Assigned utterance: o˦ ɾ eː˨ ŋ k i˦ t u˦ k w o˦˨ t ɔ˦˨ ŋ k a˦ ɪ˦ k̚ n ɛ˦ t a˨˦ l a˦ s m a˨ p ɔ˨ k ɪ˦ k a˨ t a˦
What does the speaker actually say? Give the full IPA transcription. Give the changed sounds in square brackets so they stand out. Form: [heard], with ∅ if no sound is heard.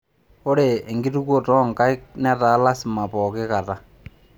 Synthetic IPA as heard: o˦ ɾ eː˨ ŋ [ɡ] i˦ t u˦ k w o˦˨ t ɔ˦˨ ŋ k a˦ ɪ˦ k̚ n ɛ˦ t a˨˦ l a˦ s m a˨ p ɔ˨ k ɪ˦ k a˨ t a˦